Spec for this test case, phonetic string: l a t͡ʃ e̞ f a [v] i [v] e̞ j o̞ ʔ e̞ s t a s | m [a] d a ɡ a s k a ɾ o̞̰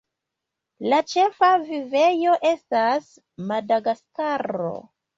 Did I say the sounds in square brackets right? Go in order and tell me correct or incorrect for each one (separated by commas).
correct, correct, correct